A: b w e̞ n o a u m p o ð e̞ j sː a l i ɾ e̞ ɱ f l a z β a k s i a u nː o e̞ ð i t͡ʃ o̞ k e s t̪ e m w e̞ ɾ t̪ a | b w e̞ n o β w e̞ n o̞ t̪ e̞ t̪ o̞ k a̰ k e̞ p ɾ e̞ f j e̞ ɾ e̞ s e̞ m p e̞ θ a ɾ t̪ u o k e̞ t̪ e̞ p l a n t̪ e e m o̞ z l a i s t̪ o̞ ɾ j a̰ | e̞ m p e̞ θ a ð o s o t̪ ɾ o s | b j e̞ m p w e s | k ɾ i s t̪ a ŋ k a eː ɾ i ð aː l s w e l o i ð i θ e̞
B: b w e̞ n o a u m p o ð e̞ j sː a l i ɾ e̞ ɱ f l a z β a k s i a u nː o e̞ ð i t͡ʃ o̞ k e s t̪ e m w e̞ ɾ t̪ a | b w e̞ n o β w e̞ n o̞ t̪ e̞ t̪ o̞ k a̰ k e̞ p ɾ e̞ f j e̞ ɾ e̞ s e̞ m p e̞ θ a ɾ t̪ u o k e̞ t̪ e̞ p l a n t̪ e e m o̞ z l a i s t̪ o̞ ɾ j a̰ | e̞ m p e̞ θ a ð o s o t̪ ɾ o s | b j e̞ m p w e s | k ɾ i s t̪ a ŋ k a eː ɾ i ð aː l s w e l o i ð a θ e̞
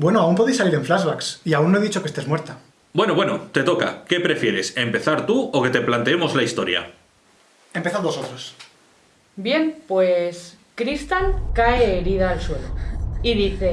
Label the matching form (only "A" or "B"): A